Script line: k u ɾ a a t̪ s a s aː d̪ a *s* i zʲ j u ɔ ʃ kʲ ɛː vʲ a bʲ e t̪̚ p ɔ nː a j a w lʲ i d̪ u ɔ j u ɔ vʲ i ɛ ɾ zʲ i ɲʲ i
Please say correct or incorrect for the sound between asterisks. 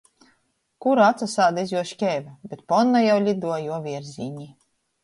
incorrect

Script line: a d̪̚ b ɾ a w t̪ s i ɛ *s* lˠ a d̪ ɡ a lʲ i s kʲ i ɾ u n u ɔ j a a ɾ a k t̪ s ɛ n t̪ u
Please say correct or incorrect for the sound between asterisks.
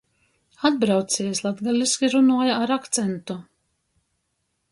correct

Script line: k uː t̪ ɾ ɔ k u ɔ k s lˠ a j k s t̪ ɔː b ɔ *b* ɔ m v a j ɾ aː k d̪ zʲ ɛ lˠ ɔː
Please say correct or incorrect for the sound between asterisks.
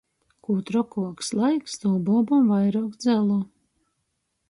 correct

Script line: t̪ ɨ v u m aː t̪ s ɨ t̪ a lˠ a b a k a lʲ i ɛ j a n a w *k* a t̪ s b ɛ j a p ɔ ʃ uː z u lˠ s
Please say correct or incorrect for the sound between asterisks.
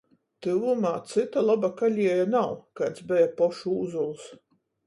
correct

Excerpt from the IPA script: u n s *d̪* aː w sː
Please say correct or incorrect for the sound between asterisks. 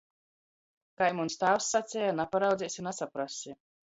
incorrect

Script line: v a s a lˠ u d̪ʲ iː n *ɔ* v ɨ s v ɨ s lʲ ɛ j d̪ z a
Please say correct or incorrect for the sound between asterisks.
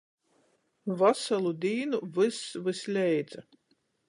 incorrect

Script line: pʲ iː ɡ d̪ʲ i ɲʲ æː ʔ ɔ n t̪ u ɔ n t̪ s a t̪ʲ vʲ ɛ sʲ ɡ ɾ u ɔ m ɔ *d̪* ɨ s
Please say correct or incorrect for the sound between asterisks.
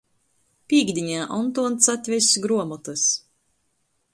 incorrect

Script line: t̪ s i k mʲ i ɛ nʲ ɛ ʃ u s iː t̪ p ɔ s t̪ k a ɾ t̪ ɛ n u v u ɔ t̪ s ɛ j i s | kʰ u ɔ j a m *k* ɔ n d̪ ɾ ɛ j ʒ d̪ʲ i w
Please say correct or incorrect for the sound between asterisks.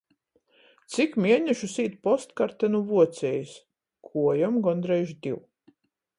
incorrect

